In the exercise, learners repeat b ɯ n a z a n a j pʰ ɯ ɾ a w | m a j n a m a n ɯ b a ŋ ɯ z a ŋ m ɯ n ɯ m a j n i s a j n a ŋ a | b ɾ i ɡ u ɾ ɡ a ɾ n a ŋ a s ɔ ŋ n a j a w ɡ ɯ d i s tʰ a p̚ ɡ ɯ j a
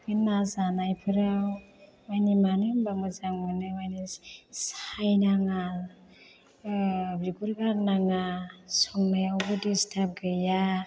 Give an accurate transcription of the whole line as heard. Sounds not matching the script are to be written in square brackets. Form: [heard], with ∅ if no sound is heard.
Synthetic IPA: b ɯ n a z a n a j pʰ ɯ ɾ a w | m a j n [i] m a n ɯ b a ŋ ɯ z a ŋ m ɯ n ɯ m a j n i s a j n a ŋ a | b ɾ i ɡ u ɾ ɡ a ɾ n a ŋ a s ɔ ŋ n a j a w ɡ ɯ d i s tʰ a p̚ ɡ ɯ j a